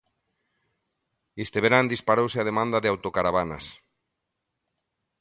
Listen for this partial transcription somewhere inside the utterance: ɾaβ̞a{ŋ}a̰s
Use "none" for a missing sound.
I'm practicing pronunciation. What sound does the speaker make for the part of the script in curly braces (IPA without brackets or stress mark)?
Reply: n